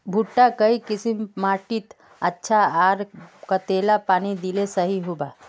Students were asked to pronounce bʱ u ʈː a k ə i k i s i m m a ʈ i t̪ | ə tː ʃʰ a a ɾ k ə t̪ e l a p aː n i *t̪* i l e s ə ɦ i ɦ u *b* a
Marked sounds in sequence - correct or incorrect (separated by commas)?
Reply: incorrect, correct